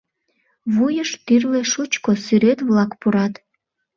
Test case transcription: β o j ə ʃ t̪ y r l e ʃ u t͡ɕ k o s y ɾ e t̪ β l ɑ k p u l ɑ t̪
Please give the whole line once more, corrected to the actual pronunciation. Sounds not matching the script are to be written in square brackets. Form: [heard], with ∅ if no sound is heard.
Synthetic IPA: β [u] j ə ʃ t̪ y r l e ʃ u t͡ɕ k o s y ɾ e t̪ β l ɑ k p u [ɾ] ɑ t̪